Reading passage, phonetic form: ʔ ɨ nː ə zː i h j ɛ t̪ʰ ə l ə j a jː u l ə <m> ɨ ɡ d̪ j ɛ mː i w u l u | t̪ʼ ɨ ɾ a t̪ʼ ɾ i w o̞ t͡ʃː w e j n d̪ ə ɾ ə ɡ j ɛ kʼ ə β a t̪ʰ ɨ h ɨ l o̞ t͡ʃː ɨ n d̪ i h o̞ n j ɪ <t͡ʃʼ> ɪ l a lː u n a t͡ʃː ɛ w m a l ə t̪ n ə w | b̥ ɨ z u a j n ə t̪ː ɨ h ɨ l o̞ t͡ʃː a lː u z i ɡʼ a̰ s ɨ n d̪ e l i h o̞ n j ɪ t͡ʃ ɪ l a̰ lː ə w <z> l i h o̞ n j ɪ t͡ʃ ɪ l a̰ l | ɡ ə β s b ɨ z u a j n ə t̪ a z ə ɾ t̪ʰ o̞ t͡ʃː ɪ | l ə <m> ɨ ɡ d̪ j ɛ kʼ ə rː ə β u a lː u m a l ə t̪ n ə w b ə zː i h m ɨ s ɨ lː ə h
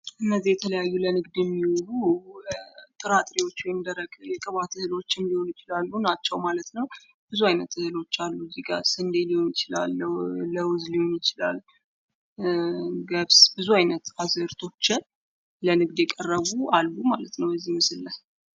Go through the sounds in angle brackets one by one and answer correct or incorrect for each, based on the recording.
incorrect, incorrect, correct, incorrect

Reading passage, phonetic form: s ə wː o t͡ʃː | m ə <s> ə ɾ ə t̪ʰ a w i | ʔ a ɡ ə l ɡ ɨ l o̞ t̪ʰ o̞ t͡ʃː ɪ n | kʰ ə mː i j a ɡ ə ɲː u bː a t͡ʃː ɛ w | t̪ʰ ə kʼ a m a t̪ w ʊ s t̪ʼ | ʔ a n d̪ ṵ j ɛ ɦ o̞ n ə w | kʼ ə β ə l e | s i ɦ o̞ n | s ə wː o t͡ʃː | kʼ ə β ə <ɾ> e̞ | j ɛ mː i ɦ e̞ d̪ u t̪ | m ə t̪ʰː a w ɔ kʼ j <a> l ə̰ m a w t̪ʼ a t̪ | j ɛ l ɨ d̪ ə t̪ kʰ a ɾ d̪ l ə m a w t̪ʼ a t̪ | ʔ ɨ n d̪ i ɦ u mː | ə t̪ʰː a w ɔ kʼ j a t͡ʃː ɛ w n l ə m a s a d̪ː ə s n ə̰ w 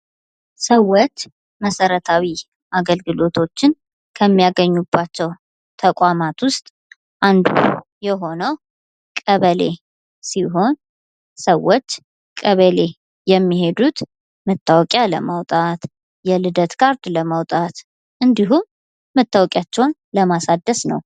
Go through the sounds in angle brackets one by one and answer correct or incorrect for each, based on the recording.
correct, incorrect, correct

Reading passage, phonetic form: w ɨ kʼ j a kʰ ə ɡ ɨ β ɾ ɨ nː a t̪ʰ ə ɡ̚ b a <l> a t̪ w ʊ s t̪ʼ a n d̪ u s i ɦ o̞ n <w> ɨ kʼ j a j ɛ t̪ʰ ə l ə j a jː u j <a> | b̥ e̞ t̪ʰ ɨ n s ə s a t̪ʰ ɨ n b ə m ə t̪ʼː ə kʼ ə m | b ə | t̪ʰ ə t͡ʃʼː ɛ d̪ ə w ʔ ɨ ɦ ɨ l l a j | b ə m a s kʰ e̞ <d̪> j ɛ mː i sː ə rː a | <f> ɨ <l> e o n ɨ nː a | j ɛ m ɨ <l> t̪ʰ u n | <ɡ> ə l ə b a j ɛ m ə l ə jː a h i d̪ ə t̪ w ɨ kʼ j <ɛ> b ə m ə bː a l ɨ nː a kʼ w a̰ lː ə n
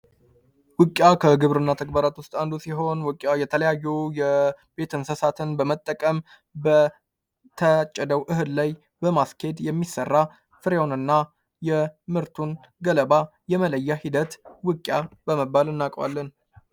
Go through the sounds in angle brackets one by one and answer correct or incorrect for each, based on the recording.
incorrect, correct, incorrect, correct, correct, incorrect, incorrect, correct, incorrect

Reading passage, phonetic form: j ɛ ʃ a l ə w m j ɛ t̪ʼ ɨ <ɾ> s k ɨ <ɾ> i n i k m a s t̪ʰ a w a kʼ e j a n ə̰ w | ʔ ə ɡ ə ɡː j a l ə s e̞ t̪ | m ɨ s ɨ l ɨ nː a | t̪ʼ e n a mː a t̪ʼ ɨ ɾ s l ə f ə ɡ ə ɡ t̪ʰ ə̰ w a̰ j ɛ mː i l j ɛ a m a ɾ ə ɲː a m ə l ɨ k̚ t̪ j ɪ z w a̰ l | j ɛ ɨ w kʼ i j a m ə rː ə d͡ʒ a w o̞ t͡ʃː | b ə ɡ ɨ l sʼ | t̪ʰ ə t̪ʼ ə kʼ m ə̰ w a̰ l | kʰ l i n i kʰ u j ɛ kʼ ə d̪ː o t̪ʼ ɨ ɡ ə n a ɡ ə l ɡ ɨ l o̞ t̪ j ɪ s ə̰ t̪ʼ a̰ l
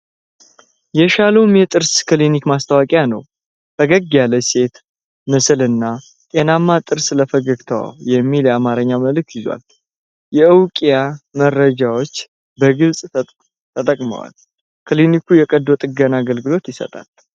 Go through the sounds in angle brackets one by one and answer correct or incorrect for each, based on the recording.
correct, incorrect

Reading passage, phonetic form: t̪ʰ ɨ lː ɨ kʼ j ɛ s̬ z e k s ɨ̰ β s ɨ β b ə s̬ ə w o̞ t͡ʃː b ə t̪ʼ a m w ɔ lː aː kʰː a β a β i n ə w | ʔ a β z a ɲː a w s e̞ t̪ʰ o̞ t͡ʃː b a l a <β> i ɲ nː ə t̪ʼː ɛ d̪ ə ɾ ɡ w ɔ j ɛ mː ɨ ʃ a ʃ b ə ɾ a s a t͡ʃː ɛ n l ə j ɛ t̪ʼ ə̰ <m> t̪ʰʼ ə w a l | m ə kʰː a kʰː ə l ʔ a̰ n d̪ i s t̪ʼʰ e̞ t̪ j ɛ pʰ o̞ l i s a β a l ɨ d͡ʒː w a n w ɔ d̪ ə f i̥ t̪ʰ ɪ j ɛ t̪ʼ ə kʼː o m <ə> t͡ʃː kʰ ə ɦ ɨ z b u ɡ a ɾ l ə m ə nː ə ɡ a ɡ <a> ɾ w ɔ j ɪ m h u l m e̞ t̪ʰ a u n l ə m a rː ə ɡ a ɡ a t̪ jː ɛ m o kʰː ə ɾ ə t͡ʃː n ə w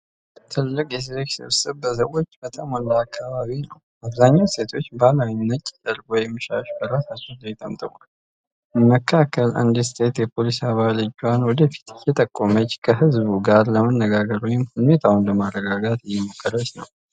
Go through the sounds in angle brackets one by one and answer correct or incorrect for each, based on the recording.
incorrect, correct, correct, incorrect

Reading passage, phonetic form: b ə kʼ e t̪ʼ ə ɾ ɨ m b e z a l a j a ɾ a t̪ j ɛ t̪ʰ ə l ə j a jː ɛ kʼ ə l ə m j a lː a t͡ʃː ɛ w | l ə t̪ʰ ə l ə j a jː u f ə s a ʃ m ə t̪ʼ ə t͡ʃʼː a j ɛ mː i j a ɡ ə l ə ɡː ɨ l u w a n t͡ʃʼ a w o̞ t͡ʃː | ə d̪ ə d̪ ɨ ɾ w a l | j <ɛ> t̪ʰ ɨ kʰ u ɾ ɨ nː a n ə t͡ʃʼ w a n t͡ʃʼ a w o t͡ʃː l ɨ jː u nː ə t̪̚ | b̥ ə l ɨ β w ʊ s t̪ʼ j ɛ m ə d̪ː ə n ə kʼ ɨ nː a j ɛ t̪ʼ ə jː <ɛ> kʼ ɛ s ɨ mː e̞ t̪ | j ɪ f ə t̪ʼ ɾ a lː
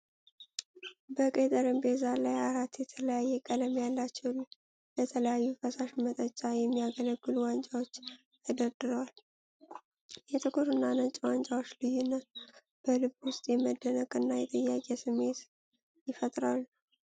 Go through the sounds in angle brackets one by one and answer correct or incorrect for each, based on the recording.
correct, incorrect

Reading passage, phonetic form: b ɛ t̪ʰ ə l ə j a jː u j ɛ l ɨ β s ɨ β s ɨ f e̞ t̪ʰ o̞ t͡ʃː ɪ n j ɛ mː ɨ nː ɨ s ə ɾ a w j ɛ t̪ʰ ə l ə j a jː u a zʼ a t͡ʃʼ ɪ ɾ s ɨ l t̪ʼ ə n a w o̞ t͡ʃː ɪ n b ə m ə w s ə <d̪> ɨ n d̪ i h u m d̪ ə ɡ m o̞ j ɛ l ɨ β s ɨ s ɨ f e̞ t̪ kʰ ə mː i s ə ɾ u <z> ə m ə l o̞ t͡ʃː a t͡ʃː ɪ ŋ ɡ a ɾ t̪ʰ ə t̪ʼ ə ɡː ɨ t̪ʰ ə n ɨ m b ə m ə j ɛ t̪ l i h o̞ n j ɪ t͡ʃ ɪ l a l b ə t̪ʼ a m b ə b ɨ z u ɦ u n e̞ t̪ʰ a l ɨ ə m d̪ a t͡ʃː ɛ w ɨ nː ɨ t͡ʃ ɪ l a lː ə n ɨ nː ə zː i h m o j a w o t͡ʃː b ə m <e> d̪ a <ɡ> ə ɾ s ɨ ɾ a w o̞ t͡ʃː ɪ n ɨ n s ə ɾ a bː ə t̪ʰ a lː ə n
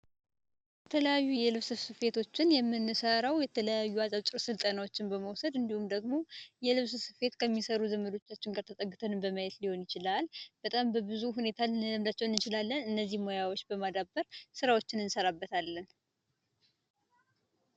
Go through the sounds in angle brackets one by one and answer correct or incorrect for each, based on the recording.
correct, correct, incorrect, incorrect

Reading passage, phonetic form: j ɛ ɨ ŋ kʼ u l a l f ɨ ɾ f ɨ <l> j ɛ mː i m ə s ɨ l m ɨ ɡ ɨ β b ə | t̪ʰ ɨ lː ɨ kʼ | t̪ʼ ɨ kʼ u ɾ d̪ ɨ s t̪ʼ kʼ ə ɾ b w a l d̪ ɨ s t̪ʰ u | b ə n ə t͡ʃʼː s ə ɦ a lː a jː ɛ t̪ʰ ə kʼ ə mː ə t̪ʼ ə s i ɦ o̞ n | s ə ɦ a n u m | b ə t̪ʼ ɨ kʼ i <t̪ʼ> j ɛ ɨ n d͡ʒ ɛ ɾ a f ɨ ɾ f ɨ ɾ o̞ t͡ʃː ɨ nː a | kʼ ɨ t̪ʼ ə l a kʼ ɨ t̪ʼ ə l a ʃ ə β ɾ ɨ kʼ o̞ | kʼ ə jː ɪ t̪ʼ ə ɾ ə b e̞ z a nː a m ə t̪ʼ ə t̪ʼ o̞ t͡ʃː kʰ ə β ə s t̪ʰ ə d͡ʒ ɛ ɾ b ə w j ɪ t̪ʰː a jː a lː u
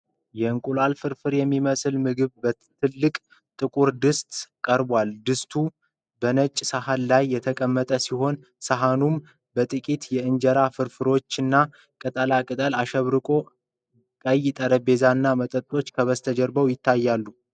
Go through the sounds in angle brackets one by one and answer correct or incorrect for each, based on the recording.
incorrect, incorrect

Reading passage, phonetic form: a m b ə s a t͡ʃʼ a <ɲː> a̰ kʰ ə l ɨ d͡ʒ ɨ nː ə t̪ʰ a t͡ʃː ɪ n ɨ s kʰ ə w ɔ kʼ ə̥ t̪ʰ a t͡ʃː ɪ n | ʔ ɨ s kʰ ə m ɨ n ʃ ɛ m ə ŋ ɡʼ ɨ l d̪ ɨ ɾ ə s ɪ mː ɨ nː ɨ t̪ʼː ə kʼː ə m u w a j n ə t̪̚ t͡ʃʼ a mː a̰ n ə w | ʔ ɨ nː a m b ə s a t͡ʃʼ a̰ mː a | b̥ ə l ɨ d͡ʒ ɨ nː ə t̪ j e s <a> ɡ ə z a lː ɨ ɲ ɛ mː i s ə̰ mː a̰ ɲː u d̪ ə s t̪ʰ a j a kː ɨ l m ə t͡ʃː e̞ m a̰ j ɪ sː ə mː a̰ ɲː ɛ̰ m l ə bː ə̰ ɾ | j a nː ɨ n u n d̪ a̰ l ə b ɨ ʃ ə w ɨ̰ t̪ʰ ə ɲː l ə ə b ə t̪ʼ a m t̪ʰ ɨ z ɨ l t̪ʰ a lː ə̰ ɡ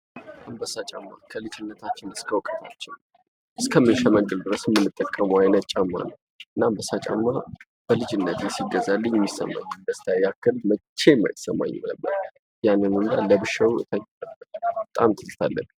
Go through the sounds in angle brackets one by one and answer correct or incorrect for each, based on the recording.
incorrect, incorrect

